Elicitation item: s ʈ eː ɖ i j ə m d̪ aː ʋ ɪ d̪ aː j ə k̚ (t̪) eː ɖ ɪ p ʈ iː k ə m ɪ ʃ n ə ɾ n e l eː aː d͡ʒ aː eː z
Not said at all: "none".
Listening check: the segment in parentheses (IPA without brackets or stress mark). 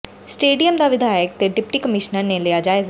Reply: t̪